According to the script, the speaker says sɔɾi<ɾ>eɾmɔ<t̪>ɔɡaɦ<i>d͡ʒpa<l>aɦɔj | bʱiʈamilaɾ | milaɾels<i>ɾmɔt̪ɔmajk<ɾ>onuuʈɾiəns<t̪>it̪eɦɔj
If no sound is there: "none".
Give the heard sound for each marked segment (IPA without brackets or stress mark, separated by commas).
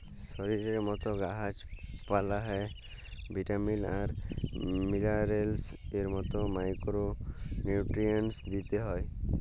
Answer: ɾ, t̪, a, l, e, ɾ, d̪